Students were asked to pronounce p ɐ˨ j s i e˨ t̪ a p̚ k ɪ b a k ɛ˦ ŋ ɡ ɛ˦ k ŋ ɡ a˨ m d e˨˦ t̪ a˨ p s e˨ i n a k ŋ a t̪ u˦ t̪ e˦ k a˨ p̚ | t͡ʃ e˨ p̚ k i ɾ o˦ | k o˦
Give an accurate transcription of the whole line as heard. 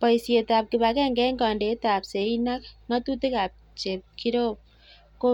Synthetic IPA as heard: p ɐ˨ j s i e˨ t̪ a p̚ k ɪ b a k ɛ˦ ŋ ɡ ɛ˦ ŋ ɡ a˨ n d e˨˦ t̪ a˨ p s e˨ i n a k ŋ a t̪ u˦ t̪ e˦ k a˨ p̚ | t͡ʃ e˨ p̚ k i ɾ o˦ | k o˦